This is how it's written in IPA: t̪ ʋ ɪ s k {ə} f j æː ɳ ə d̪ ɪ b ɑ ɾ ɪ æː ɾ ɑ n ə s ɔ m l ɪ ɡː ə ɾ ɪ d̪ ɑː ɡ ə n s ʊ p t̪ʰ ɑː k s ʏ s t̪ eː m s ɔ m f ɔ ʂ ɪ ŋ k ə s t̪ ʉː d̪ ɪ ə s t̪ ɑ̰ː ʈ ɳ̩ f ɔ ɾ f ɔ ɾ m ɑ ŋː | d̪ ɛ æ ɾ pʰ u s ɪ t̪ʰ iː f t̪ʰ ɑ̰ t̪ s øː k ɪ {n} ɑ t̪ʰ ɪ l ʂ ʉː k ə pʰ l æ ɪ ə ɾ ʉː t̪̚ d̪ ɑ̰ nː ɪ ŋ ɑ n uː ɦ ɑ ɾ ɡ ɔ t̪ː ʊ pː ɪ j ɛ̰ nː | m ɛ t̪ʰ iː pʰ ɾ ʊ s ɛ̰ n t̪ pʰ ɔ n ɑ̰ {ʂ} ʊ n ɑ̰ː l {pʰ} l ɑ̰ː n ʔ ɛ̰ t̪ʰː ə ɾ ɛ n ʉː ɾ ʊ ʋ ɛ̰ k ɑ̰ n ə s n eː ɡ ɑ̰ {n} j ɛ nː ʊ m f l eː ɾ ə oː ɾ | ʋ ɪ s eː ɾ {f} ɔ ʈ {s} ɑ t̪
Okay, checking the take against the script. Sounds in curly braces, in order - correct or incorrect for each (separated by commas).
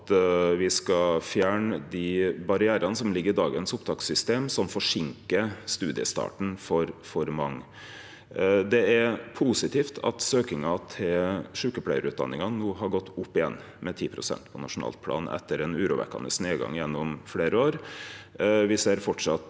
incorrect, incorrect, correct, correct, incorrect, correct, incorrect